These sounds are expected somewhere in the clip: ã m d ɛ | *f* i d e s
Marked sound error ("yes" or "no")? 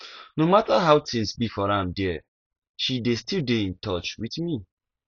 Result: yes